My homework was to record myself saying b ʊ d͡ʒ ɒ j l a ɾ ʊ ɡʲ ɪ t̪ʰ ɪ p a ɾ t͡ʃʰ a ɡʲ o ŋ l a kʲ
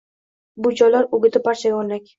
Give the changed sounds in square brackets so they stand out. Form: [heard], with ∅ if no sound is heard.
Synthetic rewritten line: b ʊ d͡ʒ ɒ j l a ɾ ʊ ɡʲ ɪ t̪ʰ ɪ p a ɾ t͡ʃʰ a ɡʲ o [n] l a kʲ